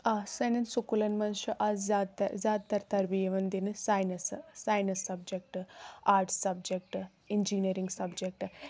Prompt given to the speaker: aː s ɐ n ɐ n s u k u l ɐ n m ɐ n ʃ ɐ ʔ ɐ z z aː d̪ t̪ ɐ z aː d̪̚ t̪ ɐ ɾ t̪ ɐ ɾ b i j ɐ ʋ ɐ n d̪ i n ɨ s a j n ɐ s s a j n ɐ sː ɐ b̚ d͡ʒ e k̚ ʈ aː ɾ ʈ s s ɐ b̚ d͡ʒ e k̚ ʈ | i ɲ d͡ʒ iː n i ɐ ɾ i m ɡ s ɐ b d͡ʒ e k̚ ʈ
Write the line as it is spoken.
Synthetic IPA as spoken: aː s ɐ n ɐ n s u k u l ɐ n m ɐ n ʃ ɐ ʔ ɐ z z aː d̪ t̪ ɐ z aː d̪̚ t̪ ɐ ɾ t̪ ɐ ɾ b i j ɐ ʋ ɐ n d̪ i n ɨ s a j n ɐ s s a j n ɐ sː ɐ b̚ d͡ʒ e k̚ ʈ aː ɾ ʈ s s ɐ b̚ d͡ʒ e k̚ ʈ | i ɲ d͡ʒ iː n i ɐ ɾ i ŋ ɡ s ɐ b d͡ʒ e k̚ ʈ